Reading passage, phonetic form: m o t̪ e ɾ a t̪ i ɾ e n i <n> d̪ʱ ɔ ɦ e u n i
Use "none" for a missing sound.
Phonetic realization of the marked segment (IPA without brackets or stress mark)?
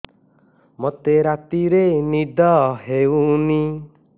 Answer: none